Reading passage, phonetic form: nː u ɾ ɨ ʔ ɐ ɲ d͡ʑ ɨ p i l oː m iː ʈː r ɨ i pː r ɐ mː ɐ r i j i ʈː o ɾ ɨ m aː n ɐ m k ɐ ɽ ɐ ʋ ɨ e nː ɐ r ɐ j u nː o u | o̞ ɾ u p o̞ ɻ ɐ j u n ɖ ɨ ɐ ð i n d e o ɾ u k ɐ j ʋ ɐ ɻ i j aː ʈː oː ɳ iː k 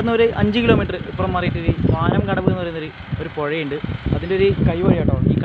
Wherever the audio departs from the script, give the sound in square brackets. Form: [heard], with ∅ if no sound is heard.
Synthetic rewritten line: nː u ɾ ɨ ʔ ɐ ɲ d͡ʑ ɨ [k] i l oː m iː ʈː r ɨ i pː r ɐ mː ɐ r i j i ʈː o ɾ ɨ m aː n ɐ m k ɐ ɽ ɐ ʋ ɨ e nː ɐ r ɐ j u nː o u | o̞ ɾ u p o̞ ɻ ɐ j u [ɳ] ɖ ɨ ɐ ð i n d e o ɾ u k ɐ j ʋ ɐ ɻ i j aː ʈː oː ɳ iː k